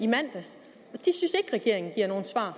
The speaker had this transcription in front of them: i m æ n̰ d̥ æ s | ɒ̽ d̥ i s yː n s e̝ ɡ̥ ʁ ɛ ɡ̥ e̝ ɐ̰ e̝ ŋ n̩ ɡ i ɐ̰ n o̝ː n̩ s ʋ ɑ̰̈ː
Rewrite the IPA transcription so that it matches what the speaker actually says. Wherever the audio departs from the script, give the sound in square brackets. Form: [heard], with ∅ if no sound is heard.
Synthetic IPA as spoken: i m æ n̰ d̥ æ s | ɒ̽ d̥ i s [y] n s e̝ ɡ̥ ʁ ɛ ɡ̥ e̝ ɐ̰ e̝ ŋ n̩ ɡ i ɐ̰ n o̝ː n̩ s ʋ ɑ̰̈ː